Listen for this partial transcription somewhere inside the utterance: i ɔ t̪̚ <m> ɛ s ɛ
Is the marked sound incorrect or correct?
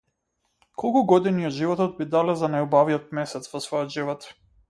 correct